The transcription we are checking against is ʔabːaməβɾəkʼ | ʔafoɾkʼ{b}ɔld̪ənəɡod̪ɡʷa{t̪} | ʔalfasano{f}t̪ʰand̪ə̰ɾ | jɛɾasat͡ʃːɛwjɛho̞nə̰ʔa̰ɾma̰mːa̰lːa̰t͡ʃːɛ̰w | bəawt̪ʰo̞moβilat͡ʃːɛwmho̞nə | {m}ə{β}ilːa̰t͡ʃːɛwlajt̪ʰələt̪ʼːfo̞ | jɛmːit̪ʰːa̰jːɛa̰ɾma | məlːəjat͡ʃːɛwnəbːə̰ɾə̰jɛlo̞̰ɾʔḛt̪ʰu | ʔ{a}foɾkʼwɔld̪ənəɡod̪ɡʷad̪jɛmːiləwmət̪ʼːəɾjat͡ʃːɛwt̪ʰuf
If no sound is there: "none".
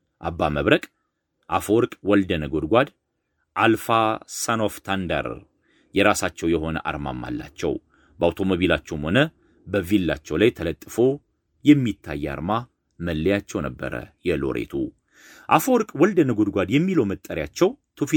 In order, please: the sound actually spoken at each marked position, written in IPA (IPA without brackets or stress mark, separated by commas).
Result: w, d̪, f, b, v, a